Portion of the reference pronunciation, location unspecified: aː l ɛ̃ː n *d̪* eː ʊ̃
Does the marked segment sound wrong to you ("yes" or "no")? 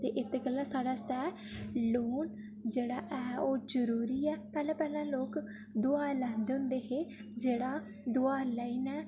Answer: no